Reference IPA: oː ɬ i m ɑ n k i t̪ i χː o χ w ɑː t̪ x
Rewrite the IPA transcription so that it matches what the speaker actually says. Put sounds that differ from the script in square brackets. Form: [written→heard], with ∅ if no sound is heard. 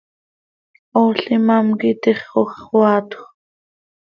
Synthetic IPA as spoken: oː ɬ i m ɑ [n→m] k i t̪ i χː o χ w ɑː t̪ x